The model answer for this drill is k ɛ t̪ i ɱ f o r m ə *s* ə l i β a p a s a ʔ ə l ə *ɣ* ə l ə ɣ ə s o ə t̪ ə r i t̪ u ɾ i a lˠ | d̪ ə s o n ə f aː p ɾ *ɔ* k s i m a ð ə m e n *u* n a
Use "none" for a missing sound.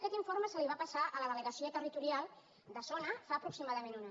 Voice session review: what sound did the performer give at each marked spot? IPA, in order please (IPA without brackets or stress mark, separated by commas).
s, ð, u, u